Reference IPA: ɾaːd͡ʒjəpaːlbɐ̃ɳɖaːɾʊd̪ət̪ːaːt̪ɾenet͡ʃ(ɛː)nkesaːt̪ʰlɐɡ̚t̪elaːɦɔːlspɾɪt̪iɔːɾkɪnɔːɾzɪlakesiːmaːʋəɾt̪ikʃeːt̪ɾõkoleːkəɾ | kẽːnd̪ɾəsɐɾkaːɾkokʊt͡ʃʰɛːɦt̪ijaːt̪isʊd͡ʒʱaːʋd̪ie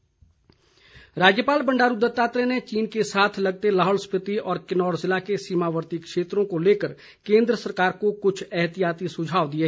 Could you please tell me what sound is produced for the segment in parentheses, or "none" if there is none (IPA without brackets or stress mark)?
iː